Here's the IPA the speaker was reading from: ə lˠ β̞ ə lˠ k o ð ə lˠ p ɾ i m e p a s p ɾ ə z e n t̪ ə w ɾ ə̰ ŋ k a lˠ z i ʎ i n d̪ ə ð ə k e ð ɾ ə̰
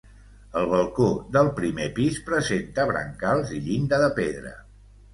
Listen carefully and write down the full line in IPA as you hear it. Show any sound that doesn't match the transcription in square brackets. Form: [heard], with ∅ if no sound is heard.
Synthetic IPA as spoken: ə lˠ β̞ ə lˠ k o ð ə lˠ p ɾ i m e p [i] s p ɾ ə z e n t̪ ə [β] ɾ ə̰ ŋ k a lˠ z i ʎ i n d̪ ə ð ə [p] e ð ɾ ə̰